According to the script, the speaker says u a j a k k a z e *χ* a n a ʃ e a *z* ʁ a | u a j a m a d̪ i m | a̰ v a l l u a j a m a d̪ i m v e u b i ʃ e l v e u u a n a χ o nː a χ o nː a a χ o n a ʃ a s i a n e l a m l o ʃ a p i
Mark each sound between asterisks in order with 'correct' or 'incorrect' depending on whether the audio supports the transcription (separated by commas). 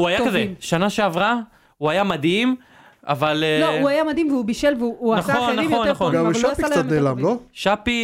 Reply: incorrect, incorrect